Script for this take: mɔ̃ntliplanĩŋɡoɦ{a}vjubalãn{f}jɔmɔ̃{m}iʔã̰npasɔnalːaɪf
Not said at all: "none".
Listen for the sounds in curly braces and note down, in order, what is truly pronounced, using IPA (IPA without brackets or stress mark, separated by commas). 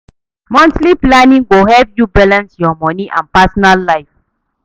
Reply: ɛ, s, n